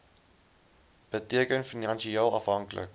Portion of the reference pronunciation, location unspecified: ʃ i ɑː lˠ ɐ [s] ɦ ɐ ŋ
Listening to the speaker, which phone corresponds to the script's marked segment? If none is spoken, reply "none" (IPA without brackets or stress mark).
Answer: f